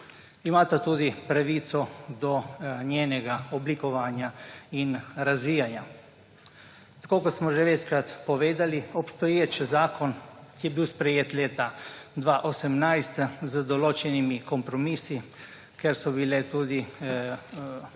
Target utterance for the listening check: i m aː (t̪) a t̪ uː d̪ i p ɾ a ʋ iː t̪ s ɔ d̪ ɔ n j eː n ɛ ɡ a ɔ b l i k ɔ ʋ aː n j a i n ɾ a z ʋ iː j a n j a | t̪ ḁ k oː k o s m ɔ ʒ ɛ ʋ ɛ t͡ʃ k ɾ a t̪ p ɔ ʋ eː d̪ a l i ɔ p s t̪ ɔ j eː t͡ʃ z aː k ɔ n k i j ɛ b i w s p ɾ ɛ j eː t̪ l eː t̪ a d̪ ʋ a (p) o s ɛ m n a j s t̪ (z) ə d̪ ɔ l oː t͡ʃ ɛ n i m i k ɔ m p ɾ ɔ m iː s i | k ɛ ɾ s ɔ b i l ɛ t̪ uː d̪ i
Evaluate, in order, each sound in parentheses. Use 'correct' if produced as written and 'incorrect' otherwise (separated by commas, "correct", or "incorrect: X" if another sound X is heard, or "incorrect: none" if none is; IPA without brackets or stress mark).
correct, incorrect: ʔ, correct